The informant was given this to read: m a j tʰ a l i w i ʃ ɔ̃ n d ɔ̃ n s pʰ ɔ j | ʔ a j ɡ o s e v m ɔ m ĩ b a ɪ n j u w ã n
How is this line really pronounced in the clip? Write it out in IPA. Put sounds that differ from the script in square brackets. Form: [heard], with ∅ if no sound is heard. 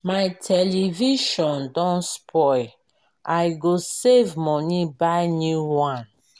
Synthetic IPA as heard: m a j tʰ [ɛ] l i [v] i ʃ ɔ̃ n d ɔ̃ n s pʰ ɔ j | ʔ a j ɡ o s e v m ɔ [n] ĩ b a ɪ n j u w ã n